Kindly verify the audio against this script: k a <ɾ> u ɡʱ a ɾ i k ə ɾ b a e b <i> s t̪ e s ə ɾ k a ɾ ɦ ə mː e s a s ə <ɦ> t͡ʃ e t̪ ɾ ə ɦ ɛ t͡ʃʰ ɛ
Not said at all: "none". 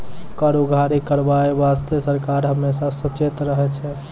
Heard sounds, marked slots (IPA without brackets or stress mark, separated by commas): ɾ, a, none